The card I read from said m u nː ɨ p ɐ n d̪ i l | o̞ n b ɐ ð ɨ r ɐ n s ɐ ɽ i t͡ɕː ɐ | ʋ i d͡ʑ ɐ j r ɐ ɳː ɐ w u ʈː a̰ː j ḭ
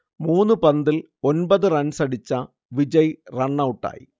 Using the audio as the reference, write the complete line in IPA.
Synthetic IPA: m uː nː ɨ p ɐ n d̪ i l | o̞ n b ɐ ð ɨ r ɐ n s ɐ ɽ i t͡ɕː ɐ | ʋ i d͡ʑ ɐ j r ɐ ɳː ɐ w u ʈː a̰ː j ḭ